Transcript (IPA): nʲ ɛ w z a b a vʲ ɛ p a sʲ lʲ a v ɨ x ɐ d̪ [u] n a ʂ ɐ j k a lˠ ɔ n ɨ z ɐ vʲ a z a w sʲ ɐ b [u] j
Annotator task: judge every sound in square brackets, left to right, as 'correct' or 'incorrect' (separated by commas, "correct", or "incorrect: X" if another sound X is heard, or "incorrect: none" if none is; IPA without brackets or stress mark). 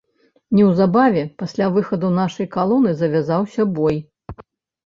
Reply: correct, incorrect: ɔ